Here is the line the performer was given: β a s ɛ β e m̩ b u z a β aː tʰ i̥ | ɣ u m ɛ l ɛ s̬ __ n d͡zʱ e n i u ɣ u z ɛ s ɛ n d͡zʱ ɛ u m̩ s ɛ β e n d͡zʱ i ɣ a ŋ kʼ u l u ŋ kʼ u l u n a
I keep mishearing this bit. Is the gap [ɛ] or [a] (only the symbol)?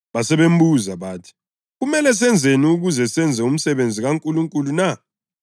ɛ